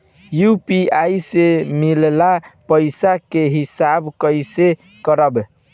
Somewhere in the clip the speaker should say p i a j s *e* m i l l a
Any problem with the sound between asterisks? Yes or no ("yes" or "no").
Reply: no